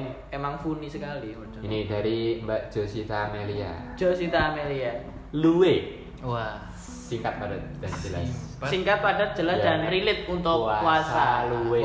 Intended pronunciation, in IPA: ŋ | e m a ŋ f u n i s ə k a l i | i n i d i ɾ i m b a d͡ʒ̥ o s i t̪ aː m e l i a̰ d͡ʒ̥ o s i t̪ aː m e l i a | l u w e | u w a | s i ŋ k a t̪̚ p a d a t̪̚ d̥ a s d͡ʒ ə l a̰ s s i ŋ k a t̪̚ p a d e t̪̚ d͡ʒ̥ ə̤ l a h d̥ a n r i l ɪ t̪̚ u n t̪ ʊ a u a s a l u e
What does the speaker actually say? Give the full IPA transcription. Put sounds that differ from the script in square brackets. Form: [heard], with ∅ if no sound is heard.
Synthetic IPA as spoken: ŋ | e m a ŋ f u n i s ə k a l i | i n i d [a] ɾ i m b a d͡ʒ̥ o s i t̪ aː m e l i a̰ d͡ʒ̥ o s i t̪ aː m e l i a | l u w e | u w a | s i ŋ k a t̪̚ p a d a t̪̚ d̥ a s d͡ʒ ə l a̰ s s i ŋ k a t̪̚ p a d [a] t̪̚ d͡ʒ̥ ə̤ l a [s] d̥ a n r i l ɪ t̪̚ u n t̪ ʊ a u a s a l u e